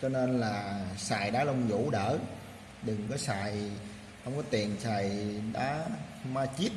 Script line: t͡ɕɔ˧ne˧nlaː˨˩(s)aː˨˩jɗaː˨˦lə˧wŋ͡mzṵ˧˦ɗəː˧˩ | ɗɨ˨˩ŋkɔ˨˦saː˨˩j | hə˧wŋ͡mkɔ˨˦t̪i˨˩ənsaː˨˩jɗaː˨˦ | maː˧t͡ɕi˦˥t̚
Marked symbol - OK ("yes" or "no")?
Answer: yes